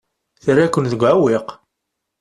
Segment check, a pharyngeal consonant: present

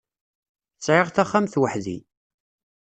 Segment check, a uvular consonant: present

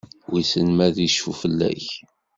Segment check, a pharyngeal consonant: absent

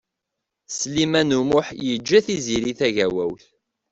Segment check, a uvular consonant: absent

